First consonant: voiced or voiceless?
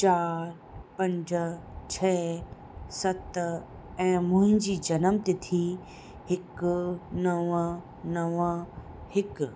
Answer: voiceless